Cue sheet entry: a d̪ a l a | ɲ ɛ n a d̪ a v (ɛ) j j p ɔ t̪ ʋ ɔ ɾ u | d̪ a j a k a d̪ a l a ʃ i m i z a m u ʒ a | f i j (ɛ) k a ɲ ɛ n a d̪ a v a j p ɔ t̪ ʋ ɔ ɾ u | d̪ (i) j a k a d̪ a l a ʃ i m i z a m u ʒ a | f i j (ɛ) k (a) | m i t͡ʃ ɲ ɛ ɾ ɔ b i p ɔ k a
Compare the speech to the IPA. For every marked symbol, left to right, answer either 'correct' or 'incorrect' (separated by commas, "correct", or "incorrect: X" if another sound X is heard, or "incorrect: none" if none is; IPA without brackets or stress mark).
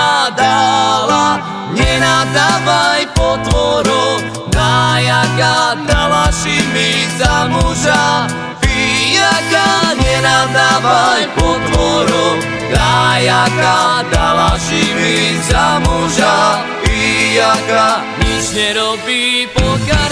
incorrect: a, incorrect: a, incorrect: a, incorrect: a, correct